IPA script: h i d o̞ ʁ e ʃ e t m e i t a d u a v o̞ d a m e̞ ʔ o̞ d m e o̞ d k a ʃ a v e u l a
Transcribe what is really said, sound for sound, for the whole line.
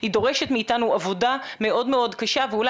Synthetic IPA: h i d o̞ ʁ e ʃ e t m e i t a n u a v o̞ d a m e̞ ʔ o̞ d m e o̞ d k a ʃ a v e u l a